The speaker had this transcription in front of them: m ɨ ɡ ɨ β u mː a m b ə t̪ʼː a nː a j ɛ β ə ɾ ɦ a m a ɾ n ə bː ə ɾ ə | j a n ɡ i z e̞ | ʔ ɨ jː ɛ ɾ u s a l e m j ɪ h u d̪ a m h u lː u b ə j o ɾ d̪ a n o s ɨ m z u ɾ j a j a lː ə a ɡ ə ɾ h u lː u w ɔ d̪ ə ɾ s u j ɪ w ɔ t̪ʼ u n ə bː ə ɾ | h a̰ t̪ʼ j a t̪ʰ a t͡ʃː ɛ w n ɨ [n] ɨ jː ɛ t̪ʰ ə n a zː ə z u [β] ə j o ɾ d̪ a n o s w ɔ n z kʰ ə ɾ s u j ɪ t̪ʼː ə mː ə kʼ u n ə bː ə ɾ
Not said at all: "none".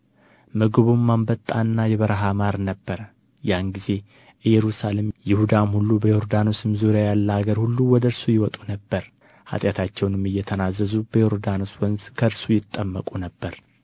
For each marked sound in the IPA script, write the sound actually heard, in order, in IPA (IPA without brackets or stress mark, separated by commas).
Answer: m, b